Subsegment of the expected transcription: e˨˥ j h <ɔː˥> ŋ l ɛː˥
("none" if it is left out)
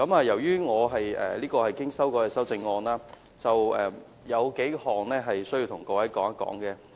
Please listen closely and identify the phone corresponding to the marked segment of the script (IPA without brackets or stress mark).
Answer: ɔː˨